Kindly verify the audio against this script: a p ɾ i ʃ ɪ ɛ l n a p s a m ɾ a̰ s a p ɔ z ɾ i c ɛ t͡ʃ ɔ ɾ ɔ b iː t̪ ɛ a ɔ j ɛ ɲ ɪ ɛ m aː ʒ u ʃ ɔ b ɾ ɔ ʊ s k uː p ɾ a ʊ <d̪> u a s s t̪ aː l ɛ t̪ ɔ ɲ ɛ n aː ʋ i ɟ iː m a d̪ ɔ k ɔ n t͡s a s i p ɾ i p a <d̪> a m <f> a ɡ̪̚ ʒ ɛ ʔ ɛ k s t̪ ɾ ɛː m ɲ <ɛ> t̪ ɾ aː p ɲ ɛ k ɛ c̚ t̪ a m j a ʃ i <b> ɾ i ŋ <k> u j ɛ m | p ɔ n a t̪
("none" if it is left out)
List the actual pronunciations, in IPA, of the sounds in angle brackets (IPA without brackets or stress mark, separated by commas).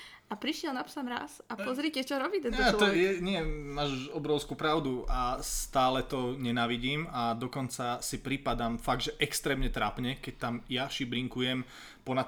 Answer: d̪, d̪, f, ɛ, b, k